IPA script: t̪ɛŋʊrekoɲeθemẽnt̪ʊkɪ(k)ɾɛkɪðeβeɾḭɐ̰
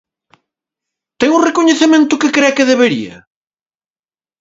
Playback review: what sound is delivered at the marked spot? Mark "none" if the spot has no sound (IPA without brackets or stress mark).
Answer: k